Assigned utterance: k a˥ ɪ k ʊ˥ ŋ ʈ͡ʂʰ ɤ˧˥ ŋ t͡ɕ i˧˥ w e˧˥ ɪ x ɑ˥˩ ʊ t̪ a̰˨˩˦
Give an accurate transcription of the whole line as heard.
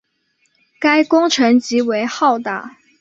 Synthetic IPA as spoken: k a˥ ɪ k ʊ˥ ŋ ʈ͡ʂʰ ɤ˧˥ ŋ t͡ɕ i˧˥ w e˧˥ ɪ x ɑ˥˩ ʊ t̪ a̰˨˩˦